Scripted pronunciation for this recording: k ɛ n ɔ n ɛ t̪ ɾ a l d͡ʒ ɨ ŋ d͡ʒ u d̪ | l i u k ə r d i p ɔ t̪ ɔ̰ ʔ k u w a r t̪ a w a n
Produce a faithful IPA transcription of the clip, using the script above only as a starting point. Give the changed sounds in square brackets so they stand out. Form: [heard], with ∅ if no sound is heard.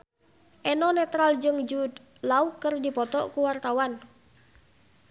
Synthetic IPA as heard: [ʔ] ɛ n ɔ n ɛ t̪ ɾ a l d͡ʒ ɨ ŋ d͡ʒ u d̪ | l [a] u k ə r d i p ɔ t̪ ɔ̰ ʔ k u w a r t̪ a w a n